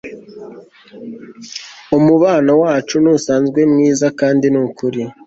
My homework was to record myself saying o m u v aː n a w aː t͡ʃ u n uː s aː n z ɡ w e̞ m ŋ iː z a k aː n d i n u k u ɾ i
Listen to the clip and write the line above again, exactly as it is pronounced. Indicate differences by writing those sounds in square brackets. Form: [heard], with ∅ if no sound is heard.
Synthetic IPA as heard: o m u [β] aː n a w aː t͡ʃ u n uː s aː n z ɡ w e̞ m ŋ iː z a k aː n d i n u k u ɾ i